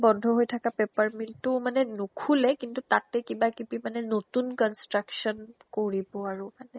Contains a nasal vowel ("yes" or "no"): no